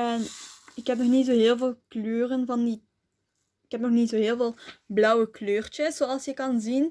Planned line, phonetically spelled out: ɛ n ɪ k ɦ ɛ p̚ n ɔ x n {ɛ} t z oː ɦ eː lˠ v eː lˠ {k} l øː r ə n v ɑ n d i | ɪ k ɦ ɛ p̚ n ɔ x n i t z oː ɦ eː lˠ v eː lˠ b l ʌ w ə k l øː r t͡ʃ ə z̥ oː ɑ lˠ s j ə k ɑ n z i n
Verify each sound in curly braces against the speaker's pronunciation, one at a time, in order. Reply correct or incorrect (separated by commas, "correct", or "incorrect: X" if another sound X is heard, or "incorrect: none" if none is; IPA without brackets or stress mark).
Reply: incorrect: i, correct